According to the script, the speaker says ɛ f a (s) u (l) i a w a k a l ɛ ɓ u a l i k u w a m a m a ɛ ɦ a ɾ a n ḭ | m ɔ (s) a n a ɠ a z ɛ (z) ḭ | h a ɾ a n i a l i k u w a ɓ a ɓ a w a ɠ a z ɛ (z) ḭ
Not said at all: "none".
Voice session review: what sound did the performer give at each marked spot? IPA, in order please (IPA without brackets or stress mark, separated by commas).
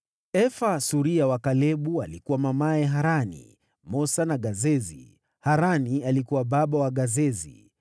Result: s, ɾ, s, z, z